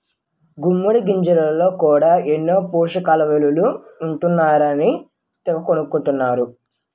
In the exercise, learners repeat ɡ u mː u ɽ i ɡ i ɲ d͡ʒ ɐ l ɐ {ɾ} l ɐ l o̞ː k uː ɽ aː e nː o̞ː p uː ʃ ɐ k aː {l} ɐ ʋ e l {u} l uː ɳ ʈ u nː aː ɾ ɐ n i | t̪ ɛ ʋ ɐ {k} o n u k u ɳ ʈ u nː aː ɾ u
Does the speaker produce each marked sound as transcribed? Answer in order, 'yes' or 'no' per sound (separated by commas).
no, yes, yes, yes